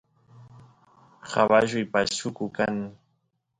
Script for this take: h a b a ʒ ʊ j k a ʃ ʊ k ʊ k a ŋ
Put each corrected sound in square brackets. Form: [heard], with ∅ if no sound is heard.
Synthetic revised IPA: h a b a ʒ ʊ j [p] a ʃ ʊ k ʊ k a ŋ

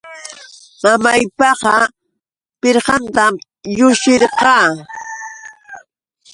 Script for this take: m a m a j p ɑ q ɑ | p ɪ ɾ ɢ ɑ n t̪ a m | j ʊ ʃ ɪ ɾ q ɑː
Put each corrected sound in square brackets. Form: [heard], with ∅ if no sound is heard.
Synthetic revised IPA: m a m a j p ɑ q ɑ | p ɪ ɾ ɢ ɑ n t̪ a m | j ʊ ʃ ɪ ɾ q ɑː

